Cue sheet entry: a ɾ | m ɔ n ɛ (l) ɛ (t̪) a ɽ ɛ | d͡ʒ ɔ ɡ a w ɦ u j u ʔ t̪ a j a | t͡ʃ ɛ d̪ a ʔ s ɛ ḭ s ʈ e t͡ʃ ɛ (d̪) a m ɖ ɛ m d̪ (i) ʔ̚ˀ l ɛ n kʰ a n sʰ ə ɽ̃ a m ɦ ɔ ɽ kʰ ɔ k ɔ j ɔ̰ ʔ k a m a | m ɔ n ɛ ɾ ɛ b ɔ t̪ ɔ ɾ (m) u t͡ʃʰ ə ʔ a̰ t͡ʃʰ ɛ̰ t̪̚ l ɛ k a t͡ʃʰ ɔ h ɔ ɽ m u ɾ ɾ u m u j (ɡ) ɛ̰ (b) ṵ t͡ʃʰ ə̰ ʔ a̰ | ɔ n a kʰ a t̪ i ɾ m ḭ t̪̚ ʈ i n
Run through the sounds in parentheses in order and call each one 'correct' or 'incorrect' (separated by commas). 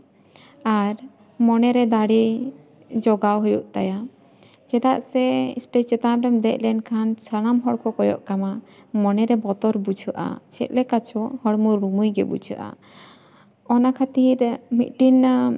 incorrect, incorrect, incorrect, incorrect, incorrect, correct, correct